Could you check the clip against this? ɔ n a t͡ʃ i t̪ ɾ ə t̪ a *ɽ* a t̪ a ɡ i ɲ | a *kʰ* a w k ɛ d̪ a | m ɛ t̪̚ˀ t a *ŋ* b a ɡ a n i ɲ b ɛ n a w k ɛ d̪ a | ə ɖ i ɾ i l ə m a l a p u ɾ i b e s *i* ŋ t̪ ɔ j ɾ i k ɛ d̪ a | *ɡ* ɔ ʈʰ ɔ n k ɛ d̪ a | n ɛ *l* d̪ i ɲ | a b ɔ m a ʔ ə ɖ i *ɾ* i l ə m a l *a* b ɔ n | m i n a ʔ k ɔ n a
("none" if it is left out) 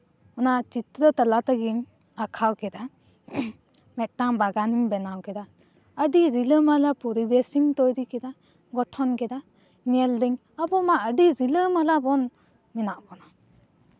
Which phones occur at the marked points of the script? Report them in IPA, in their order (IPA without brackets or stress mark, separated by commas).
l, kʰ, ŋ, i, ɡ, l, ɾ, a